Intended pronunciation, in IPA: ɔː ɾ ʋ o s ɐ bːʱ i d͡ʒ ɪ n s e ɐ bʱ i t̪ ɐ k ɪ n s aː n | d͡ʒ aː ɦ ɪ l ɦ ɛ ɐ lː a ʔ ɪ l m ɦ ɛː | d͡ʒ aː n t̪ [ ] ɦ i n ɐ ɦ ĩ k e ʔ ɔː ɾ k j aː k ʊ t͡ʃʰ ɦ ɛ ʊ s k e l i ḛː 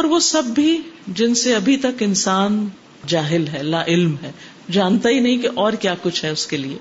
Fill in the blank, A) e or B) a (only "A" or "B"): B